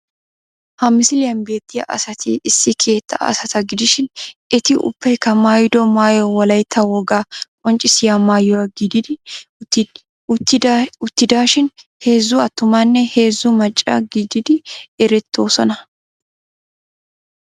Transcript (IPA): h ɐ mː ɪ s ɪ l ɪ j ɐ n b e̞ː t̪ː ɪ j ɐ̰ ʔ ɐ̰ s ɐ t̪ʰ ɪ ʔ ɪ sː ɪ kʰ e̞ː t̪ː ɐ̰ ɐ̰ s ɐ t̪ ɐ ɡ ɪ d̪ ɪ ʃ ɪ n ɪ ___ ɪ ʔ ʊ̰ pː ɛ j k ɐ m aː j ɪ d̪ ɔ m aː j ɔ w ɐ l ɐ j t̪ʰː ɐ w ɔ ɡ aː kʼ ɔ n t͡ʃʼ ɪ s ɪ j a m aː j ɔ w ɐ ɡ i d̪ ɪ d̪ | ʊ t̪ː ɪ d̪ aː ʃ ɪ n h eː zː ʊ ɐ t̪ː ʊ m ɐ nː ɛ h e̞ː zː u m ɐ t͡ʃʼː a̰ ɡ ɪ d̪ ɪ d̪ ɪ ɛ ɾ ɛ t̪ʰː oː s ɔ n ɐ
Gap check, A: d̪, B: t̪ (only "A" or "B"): B